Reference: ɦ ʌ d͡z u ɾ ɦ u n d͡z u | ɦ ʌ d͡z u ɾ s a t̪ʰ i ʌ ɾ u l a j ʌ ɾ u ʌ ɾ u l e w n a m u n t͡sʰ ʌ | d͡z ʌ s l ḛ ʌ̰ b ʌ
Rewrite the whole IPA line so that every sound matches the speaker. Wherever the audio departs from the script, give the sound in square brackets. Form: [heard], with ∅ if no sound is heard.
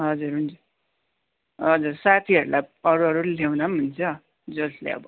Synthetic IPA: ɦ ʌ d͡z u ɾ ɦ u n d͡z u | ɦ ʌ d͡z u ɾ s a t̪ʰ i ʌ ɾ u l a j ʌ ɾ u ʌ ɾ u l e w n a m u n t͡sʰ ʌ | d͡z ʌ s l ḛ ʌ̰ b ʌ